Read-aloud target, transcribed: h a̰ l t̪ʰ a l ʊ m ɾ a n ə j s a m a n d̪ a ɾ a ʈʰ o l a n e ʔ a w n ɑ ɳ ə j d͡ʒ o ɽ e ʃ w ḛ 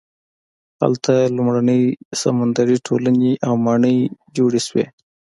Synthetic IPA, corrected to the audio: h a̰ l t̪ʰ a l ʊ m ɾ a n ə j s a m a n d̪ a ɾ i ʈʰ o l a n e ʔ a w m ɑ ɳ ə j d͡ʒ o ɽ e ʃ w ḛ